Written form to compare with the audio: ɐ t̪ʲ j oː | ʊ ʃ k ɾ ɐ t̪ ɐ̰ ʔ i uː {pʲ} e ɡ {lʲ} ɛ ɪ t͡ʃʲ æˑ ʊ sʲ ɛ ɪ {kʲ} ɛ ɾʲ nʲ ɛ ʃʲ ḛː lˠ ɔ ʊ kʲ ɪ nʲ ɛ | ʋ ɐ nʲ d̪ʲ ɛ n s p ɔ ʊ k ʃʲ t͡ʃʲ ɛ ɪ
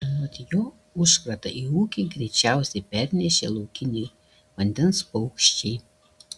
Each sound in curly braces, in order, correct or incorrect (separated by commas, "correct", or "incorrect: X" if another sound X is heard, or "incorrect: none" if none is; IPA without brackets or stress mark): incorrect: kʲ, incorrect: ɾʲ, incorrect: pʲ